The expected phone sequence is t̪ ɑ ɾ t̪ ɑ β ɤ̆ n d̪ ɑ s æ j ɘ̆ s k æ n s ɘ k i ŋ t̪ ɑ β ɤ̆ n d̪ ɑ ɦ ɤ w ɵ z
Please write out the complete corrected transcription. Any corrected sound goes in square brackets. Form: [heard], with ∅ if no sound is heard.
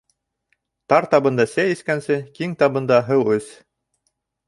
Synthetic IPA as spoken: t̪ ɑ ɾ t̪ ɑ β ɤ̆ n d̪ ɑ s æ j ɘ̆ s k æ n s ɘ k i ŋ t̪ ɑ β ɤ̆ n d̪ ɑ ɦ ɤ w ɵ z